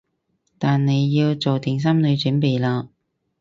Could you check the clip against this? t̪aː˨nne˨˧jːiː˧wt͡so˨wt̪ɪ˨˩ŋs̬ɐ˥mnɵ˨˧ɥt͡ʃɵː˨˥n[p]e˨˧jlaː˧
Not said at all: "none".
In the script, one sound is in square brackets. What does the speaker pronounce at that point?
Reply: p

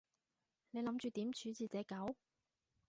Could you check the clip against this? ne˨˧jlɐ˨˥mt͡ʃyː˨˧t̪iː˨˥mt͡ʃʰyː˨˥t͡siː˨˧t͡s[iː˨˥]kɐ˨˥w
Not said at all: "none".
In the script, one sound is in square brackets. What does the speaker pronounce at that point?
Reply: ɛː˨˥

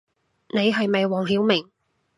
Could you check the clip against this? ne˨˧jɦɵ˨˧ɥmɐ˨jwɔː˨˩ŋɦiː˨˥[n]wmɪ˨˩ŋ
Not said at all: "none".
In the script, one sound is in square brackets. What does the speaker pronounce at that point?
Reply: none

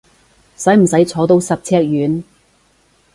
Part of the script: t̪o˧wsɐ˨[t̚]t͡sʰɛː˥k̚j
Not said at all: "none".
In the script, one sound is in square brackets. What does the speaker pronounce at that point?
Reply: p̚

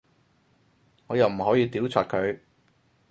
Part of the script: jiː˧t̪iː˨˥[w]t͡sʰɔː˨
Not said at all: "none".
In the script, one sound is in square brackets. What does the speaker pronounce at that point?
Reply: w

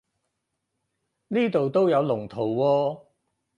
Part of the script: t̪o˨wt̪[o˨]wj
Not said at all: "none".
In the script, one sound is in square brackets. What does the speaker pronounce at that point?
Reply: o˥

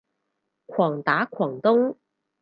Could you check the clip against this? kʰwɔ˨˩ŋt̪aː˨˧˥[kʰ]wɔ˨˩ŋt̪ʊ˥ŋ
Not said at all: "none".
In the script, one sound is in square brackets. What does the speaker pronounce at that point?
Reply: kʰ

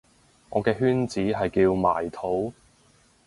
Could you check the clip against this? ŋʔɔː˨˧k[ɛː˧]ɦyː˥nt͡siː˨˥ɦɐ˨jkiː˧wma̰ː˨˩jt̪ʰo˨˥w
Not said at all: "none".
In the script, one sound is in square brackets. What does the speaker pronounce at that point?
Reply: ɛː˧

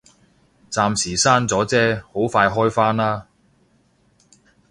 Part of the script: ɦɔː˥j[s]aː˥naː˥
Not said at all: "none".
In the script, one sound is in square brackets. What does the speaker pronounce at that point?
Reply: f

